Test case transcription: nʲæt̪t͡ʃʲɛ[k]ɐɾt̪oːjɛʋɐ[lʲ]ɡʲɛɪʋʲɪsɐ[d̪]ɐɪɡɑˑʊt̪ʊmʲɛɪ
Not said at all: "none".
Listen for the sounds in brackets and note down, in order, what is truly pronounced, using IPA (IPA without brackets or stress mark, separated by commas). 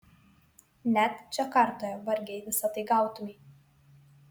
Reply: k, ɾʲ, t̪